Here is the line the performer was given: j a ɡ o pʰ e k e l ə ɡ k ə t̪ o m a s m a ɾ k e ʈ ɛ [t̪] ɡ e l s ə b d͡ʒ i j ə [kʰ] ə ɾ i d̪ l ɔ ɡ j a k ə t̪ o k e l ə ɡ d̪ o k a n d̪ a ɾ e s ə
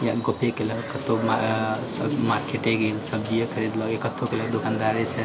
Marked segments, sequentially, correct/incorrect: incorrect: none, correct

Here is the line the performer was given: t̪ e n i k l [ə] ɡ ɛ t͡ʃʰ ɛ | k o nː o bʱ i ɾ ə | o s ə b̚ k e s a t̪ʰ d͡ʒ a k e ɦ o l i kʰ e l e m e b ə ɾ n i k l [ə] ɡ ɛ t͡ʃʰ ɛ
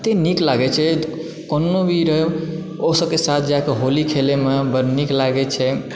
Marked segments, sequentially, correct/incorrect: incorrect: a, incorrect: a

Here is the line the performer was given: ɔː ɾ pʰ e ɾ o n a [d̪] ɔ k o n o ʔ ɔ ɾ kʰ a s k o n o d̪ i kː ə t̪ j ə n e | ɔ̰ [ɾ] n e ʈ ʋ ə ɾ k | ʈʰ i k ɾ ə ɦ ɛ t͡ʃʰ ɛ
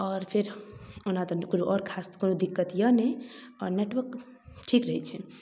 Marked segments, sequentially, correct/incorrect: incorrect: t̪, correct

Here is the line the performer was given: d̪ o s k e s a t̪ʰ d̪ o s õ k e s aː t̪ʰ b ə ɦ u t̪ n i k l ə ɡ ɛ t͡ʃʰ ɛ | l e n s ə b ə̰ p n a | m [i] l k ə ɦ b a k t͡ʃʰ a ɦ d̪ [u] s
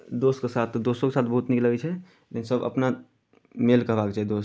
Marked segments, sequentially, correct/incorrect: incorrect: e, incorrect: o

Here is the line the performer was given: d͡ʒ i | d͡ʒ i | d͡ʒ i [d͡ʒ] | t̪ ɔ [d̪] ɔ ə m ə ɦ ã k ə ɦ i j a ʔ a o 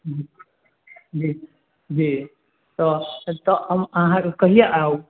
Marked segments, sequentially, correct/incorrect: incorrect: none, incorrect: t̪

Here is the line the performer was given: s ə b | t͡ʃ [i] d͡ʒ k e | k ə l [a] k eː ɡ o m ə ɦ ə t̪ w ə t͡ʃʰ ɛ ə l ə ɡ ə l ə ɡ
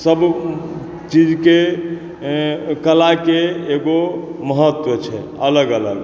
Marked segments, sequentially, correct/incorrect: correct, correct

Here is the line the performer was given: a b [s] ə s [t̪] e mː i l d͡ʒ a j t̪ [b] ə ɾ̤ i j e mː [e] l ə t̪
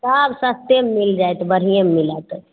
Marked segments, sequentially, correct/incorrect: correct, correct, correct, incorrect: i

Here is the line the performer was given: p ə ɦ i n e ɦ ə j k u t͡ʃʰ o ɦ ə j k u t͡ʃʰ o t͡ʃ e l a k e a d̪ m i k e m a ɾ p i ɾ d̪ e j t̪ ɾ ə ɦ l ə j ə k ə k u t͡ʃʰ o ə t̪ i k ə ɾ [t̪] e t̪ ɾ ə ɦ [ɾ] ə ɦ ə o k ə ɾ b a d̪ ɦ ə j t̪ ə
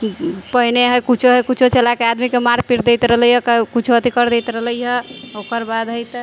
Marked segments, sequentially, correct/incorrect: incorrect: d̪, incorrect: l

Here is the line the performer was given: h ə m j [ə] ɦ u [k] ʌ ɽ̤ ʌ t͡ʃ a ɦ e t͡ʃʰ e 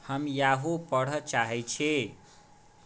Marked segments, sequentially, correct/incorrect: incorrect: a, incorrect: p

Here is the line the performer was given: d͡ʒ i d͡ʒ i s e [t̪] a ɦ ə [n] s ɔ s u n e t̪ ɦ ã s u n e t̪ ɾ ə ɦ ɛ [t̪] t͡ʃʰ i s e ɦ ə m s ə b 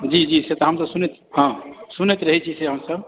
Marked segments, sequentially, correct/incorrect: correct, incorrect: m, incorrect: none

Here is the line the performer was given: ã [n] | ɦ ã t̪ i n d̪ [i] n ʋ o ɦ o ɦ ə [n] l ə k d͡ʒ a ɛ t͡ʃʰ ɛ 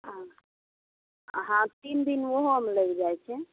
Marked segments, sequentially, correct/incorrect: incorrect: none, correct, incorrect: m

